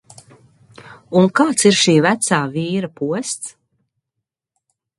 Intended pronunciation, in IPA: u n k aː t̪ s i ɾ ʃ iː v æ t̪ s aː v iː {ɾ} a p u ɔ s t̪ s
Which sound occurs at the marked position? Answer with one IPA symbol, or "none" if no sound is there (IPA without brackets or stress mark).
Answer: ɾ